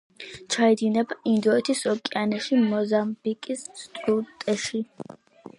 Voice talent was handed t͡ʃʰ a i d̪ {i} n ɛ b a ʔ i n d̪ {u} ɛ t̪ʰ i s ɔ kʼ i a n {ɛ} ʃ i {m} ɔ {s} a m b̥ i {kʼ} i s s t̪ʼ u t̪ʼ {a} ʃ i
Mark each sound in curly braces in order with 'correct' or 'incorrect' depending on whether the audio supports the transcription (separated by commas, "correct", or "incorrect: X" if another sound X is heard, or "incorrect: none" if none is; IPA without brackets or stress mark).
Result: correct, incorrect: ɔ, correct, correct, incorrect: z, correct, incorrect: ɛ